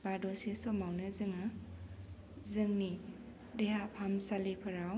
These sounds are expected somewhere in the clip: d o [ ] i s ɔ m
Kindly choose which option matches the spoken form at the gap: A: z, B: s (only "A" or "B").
B